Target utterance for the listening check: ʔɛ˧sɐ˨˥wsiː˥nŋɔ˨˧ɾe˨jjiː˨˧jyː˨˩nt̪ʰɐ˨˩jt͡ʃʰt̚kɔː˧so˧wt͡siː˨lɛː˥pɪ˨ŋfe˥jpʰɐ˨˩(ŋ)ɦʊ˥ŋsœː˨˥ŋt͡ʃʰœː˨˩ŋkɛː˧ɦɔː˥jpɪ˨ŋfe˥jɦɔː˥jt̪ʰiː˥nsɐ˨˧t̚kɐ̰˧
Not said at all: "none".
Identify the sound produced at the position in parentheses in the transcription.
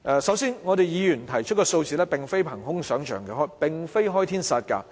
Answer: ŋ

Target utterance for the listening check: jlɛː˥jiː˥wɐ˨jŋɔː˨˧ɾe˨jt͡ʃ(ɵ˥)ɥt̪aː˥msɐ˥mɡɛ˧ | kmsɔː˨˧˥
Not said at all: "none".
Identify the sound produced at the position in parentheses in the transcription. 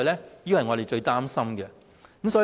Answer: ɵ˧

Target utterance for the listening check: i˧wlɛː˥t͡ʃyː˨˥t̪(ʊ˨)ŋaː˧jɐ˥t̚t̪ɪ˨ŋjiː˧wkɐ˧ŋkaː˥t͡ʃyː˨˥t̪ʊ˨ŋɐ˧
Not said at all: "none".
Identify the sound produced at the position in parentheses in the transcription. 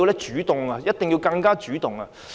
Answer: ʊ˨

